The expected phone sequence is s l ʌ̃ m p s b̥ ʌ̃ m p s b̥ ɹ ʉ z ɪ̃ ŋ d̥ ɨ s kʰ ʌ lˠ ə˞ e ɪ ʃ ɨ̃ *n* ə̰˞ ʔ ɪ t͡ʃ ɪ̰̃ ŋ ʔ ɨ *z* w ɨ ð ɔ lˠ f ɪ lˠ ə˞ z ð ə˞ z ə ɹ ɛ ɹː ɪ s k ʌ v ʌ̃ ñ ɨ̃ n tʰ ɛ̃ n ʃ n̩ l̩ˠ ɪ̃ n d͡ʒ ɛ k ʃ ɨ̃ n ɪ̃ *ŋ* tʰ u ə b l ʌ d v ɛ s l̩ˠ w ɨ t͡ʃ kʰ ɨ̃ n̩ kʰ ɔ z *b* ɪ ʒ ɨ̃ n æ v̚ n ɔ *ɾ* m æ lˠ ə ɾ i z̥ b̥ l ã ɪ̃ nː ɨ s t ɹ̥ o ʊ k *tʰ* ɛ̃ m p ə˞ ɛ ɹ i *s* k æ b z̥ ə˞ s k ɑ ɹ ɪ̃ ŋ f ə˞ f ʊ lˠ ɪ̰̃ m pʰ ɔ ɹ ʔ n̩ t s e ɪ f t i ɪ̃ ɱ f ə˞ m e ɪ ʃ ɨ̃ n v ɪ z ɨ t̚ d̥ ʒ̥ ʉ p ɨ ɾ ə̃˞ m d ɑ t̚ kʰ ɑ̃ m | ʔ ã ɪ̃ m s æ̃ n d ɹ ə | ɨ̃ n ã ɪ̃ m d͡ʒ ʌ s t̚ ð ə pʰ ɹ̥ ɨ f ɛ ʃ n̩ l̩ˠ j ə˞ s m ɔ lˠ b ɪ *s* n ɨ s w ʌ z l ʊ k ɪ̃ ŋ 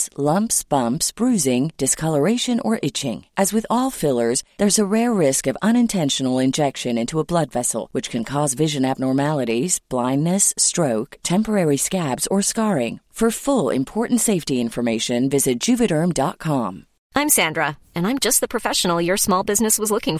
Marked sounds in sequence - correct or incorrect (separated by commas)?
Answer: correct, correct, incorrect, incorrect, incorrect, correct, correct, incorrect